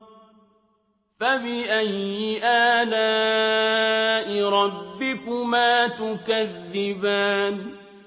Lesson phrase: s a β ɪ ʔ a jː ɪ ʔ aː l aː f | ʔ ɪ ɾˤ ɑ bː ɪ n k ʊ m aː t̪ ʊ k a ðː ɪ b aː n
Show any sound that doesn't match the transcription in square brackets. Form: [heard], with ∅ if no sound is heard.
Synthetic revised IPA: [f] a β ɪ ʔ a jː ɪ ʔ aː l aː [∅] | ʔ ɪ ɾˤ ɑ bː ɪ [∅] k ʊ m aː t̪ ʊ k a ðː ɪ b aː n